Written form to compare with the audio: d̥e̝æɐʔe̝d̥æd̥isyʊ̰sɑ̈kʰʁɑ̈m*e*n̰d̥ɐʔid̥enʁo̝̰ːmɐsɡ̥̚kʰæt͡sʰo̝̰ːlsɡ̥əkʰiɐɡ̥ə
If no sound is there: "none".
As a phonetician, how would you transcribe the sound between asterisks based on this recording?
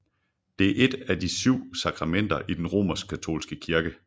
e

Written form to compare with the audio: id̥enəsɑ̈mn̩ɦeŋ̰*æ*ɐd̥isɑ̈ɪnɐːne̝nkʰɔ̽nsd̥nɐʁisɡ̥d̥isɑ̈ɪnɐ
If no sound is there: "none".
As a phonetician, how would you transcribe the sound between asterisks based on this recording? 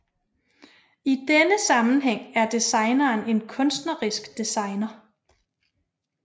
æ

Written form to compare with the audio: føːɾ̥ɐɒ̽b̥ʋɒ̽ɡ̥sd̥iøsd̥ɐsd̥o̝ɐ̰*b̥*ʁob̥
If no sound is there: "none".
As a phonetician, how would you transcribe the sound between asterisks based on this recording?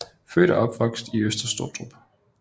d̥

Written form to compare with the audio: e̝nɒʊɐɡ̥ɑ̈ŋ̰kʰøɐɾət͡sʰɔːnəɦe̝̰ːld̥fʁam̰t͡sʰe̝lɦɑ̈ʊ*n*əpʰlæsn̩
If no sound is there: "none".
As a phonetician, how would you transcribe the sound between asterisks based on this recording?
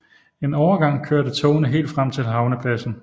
n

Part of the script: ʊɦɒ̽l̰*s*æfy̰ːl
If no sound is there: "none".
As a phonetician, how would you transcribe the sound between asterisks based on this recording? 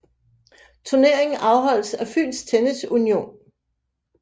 s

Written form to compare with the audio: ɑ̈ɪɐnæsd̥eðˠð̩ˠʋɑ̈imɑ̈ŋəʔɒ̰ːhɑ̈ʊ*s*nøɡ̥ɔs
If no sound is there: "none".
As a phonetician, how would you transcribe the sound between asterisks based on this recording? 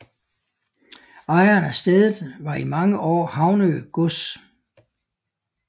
none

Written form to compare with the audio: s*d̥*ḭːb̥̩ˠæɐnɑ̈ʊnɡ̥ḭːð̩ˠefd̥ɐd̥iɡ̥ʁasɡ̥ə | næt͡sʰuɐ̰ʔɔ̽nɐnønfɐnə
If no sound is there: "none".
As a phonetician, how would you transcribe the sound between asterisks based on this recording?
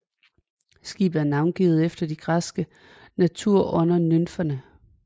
ɡ̥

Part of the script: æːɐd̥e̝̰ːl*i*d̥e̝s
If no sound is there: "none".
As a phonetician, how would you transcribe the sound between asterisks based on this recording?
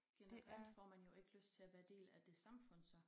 æ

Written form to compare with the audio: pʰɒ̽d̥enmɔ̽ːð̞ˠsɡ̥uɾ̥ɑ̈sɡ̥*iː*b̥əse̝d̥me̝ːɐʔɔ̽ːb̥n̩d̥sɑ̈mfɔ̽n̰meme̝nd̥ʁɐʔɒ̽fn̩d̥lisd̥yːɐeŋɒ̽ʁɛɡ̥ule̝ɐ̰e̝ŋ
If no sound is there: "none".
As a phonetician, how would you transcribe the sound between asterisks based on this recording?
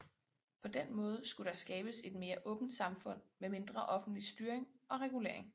ɛː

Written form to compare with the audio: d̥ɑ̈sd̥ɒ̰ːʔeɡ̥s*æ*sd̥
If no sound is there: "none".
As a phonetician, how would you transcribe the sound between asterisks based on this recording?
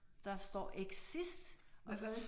i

